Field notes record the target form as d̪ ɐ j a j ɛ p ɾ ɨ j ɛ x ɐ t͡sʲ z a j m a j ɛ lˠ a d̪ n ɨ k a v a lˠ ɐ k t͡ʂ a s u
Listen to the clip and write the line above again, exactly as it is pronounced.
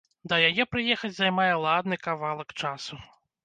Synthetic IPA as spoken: d̪ ɐ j a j ɛ p ɾ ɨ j ɛ x ɐ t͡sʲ z a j m a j ɛ lˠ a d̪ n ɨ k a v a lˠ ɐ k t͡ʂ a s u